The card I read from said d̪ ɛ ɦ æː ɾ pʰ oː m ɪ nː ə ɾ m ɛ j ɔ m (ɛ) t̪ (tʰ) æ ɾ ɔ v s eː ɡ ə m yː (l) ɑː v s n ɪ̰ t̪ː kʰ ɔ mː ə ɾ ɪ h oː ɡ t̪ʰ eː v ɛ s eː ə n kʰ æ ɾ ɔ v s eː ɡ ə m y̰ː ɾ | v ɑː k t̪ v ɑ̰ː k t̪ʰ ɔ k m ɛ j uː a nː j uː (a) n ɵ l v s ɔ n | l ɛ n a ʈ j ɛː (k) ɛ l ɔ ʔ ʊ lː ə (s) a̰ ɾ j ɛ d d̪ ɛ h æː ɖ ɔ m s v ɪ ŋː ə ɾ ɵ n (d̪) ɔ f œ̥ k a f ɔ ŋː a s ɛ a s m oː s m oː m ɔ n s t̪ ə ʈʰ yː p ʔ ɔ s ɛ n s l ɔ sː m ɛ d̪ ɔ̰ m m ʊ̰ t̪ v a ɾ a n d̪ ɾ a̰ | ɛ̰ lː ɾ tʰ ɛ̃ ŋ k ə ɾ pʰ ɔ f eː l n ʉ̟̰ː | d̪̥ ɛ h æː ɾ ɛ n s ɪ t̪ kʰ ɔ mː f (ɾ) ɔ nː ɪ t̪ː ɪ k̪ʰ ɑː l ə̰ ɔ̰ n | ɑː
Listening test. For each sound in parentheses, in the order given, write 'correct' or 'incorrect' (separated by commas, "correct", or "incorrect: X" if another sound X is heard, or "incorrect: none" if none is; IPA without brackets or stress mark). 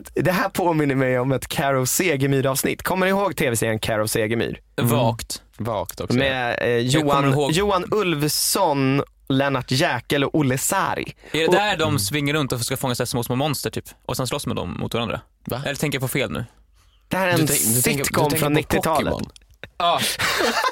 correct, incorrect: kʰ, incorrect: ɾ, correct, correct, correct, incorrect: t̪, correct